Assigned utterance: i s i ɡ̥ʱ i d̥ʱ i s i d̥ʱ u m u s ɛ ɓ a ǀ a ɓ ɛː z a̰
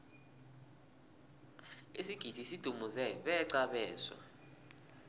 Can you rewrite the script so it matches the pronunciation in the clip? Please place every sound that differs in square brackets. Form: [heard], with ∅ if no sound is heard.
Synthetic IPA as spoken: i s i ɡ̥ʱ i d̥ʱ i s i d̥ʱ u m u [z] ɛ ɓ [ɛ] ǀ a ɓ ɛː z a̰